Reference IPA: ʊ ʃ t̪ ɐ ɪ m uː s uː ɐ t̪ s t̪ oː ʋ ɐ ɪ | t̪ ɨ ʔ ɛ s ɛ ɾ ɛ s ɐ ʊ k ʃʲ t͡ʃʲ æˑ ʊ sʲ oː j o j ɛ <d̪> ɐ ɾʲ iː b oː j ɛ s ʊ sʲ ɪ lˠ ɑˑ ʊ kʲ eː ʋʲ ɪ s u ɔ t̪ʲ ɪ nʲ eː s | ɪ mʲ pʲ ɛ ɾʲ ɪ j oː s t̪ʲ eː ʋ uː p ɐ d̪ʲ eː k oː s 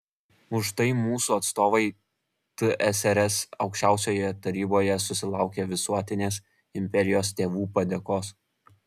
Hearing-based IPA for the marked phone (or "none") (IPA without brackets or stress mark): t̪